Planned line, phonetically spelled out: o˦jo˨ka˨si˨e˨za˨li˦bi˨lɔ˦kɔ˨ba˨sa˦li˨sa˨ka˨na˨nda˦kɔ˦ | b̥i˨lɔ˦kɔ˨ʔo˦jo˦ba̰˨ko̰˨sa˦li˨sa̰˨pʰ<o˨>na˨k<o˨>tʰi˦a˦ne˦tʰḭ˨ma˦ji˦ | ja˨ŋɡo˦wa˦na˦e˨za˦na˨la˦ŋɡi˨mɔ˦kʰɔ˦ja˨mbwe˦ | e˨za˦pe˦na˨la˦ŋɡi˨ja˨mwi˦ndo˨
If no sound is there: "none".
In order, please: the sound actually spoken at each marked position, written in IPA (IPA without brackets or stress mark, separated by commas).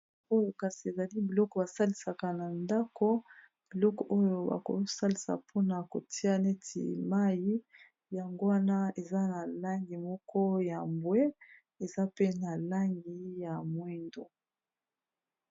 o˦, o˨